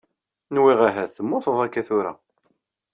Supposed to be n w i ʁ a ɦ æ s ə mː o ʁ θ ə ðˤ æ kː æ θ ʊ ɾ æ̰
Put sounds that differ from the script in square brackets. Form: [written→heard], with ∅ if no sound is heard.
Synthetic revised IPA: n w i ʁ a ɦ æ [s→θ] ə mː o [ʁ→∅] θ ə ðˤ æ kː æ θ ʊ ɾ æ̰